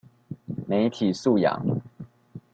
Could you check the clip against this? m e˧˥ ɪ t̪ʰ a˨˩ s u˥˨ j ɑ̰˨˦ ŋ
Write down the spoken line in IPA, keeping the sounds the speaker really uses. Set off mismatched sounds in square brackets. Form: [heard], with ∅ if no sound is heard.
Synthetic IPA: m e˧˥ ɪ t̪ʰ [i˨˩] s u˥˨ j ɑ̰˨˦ ŋ

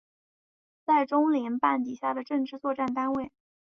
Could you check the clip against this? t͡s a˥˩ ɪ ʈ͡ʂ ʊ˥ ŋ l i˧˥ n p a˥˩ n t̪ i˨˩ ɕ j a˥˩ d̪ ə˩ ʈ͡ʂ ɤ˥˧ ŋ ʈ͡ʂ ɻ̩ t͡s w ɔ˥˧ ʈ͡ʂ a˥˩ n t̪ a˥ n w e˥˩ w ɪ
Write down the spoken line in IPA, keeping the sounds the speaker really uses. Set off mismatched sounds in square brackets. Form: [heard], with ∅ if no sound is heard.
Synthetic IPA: t͡s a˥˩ ɪ ʈ͡ʂ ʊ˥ ŋ l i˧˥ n p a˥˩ n t̪ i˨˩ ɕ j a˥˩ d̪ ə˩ ʈ͡ʂ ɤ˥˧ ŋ ʈ͡ʂ ɻ̩ t͡s w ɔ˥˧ ʈ͡ʂ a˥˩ n t̪ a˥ n w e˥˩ [∅] ɪ

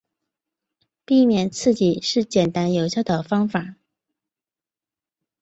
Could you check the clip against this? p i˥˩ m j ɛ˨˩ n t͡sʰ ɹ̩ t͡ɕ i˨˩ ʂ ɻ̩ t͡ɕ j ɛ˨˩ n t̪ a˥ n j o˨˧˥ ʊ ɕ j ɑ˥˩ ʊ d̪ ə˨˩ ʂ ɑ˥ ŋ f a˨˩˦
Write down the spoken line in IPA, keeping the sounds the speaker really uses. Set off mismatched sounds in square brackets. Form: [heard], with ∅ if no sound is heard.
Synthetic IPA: p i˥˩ m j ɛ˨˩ n t͡sʰ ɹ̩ t͡ɕ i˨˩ ʂ ɻ̩ t͡ɕ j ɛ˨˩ n t̪ a˥ n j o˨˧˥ ʊ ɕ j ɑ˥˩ ʊ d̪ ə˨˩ [f] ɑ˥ ŋ f a˨˩˦

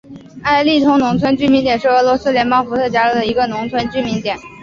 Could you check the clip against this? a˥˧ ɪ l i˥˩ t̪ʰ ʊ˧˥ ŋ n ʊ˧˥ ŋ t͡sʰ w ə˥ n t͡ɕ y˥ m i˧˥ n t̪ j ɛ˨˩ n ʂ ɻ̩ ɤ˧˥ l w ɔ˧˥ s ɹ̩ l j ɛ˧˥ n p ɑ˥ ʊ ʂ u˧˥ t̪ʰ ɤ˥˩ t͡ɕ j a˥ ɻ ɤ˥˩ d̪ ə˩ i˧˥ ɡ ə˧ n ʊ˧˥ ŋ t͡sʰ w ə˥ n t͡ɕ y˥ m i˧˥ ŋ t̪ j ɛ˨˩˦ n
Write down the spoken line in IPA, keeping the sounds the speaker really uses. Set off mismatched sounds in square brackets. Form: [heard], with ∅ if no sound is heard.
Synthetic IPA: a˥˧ ɪ l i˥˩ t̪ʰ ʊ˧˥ ŋ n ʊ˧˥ ŋ t͡sʰ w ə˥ n t͡ɕ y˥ m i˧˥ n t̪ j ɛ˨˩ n ʂ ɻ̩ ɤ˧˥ l w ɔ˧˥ s ɹ̩ l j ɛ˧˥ n p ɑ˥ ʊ [f] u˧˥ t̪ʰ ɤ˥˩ t͡ɕ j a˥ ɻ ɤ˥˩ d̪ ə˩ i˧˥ ɡ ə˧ n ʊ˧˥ ŋ t͡sʰ w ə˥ n t͡ɕ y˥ m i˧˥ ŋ t̪ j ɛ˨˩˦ n

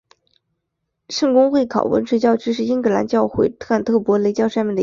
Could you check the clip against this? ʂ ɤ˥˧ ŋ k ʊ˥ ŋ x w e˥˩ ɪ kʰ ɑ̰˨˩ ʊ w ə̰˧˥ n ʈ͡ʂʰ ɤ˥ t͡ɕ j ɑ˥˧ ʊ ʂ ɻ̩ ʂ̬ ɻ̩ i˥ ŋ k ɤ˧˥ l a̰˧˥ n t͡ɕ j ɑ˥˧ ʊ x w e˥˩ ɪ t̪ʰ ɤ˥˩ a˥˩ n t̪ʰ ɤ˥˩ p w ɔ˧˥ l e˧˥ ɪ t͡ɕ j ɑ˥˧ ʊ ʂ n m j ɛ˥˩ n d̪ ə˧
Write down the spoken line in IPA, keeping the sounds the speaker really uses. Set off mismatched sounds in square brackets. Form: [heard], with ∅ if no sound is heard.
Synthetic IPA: ʂ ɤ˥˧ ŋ k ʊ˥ ŋ x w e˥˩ ɪ kʰ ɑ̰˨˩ ʊ w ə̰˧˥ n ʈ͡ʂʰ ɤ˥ t͡ɕ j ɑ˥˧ ʊ [ʈ͡ʂ] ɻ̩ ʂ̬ ɻ̩ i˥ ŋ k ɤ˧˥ l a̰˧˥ n t͡ɕ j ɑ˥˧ ʊ x w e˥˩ ɪ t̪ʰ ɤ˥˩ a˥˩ n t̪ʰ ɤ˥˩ p w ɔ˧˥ l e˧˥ ɪ t͡ɕ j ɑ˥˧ ʊ ʂ n m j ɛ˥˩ n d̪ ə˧

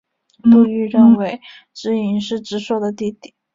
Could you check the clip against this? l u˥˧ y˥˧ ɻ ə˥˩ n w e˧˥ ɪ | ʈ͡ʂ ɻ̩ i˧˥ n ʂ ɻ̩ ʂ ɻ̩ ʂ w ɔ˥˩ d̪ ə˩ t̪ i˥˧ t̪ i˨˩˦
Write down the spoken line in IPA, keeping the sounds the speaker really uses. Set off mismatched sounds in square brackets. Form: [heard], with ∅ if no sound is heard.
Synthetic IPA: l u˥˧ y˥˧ ɻ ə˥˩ n w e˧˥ ɪ | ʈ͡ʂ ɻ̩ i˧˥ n ʂ ɻ̩ [ʈ͡ʂ] ɻ̩ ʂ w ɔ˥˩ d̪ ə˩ t̪ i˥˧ t̪ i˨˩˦

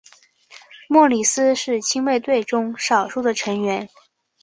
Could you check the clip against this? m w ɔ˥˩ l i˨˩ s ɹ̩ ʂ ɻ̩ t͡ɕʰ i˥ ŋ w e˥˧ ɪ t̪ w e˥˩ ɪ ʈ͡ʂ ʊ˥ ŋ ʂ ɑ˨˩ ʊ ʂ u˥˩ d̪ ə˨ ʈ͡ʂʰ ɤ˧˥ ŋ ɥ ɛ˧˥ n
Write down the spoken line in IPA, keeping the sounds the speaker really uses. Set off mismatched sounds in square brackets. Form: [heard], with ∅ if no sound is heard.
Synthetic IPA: m w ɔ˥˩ l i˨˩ s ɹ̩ ʂ ɻ̩ t͡ɕʰ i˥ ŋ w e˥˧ ɪ t̪ w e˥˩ ɪ ʈ͡ʂ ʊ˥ ŋ ʂ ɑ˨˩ ʊ ʂ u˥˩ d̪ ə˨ ʈ͡ʂʰ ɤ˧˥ ŋ ɥ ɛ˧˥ n

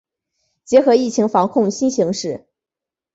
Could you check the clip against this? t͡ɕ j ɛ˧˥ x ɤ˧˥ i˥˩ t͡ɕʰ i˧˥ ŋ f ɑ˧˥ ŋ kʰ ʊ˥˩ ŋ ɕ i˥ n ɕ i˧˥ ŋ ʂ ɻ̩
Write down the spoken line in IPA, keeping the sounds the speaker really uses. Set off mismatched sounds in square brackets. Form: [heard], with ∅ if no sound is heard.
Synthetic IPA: t͡ɕ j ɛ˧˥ x ɤ˧˥ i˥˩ t͡ɕʰ i˧˥ ŋ f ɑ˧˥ ŋ kʰ ʊ˥˩ ŋ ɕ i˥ n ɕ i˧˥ ŋ ʂ ɻ̩

